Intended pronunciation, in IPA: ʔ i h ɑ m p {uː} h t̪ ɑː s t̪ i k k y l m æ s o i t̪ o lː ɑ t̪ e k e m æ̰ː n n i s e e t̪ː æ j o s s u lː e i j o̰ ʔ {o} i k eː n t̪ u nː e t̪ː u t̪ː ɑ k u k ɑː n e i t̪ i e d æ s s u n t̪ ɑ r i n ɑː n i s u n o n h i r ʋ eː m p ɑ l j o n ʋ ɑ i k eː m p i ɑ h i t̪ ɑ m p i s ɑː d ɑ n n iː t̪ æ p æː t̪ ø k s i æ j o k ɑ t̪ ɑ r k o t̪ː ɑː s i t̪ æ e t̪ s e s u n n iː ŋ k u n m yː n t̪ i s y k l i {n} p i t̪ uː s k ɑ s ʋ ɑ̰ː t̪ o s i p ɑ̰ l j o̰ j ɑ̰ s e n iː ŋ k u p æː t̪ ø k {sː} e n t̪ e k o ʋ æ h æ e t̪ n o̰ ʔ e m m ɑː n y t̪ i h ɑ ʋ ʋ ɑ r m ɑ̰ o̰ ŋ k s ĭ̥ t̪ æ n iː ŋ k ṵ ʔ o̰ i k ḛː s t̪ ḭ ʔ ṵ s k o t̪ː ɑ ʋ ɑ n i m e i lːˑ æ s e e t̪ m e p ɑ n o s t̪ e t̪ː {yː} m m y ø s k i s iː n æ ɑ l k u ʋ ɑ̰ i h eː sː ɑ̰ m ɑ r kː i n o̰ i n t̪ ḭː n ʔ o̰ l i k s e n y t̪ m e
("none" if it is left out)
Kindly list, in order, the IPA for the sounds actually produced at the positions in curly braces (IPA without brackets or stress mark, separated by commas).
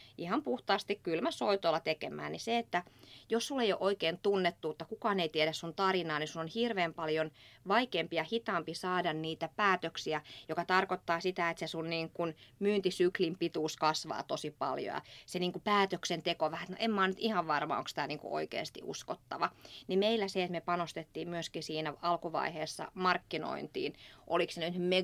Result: u, o, m, s, iː